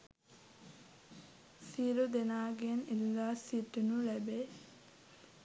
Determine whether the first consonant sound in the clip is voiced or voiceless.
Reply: voiceless